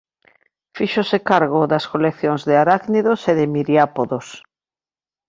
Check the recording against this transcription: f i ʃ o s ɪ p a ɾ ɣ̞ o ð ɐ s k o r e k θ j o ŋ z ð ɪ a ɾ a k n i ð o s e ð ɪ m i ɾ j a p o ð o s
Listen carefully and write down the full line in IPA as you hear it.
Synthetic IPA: f i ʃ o s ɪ k a ɾ ɣ̞ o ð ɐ s k o l e k θ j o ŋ z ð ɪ a ɾ a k n i ð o s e ð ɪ m i ɾ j a p o ð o s